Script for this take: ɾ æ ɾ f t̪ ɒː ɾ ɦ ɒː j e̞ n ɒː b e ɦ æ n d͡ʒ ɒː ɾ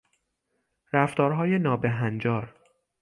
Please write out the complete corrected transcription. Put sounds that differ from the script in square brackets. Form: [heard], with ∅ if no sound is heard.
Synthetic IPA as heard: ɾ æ [∅] f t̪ ɒː ɾ ɦ ɒː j e̞ n ɒː b e ɦ æ n d͡ʒ ɒː ɾ